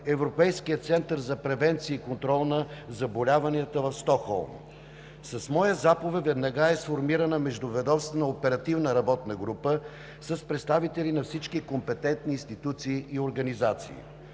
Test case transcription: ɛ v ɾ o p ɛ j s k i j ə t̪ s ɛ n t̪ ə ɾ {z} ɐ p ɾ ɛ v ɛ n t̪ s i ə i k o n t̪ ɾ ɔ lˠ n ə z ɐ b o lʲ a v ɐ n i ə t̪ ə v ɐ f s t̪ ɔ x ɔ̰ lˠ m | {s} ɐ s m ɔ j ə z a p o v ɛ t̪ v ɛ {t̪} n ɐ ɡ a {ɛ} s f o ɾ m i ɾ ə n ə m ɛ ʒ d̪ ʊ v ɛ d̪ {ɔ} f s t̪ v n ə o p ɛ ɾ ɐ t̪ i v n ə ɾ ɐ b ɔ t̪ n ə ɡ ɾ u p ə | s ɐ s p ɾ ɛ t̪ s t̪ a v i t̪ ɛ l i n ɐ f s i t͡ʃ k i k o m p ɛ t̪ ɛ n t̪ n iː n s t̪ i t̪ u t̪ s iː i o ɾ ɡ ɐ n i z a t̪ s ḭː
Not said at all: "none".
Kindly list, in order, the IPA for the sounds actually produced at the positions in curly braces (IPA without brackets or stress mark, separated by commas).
z, s, d̪, ɛ, ɔ